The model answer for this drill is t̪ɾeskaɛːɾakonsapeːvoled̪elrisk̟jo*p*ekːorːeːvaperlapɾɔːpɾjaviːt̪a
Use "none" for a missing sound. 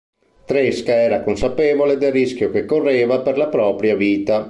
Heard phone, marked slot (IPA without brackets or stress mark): k